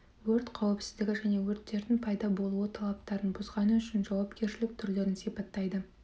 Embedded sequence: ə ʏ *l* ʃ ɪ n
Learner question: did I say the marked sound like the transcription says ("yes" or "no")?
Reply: no